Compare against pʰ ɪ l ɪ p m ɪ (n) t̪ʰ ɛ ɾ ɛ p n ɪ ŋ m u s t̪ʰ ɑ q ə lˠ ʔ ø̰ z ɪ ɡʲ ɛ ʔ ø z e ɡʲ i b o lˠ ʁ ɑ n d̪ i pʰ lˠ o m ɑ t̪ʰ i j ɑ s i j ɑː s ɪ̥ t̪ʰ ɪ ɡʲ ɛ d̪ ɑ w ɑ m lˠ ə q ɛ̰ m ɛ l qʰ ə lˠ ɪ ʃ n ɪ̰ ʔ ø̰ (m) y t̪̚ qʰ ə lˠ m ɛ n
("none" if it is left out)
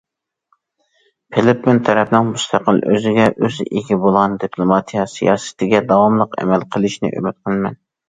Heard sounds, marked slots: n, m

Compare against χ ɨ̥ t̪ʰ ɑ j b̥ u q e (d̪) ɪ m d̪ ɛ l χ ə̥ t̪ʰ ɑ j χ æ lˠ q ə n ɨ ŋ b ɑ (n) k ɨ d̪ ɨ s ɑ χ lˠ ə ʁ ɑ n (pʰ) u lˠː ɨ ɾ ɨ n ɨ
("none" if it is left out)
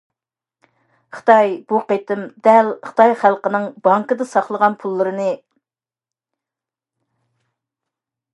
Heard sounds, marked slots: t̪, ŋ, pʰ

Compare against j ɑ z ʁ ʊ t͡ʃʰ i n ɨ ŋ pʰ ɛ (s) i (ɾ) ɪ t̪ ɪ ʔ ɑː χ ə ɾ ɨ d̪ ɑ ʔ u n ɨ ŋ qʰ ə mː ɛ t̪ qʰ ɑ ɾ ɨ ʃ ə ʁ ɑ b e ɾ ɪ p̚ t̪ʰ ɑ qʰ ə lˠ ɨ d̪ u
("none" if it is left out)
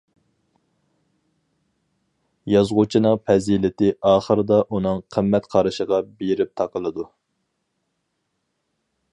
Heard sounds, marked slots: z, l

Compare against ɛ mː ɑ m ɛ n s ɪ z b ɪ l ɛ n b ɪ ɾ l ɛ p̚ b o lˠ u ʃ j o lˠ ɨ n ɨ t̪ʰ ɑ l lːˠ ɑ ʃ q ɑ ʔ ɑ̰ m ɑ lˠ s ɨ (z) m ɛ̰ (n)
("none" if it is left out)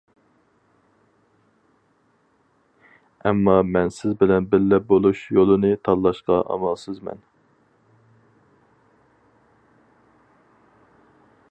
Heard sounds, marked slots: z, n

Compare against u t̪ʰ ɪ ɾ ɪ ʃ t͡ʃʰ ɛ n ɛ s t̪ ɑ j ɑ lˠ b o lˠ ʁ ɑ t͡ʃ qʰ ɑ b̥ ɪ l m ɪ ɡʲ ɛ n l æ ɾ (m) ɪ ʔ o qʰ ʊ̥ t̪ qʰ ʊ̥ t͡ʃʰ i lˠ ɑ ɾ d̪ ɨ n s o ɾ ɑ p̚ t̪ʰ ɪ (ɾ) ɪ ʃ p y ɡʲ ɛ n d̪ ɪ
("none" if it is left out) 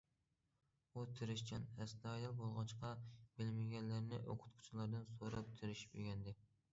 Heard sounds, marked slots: n, ɾ

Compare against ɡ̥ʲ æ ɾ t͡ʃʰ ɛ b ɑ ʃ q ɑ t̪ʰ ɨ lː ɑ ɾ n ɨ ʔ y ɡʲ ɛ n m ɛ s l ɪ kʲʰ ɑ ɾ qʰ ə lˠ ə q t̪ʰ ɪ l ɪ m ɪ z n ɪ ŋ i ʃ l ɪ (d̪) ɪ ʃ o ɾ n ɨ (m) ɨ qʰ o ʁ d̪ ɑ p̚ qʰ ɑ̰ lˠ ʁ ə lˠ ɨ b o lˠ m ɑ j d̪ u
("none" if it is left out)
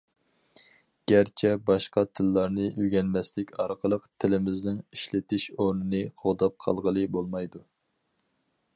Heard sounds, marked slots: t̪, n

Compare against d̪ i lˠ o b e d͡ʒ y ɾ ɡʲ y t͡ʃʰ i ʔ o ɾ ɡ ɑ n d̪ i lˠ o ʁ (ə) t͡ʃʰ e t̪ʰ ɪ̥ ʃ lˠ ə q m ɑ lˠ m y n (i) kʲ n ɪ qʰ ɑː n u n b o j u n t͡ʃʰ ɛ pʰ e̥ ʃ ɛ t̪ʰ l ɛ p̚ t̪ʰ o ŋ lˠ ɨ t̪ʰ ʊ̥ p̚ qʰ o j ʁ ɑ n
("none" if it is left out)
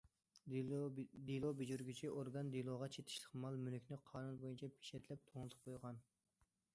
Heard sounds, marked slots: ɑ, y

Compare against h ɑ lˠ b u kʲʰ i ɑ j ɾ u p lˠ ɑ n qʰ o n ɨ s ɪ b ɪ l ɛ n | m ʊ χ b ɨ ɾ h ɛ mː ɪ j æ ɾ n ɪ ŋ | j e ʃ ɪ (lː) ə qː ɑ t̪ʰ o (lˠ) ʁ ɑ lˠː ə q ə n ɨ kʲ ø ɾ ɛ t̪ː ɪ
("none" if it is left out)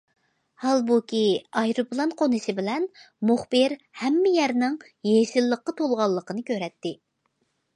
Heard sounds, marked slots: lː, lˠ

